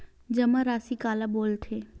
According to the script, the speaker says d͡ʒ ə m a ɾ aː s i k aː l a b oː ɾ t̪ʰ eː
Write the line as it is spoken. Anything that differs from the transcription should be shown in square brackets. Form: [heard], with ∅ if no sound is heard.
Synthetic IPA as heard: d͡ʒ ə m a ɾ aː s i k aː l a b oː [l] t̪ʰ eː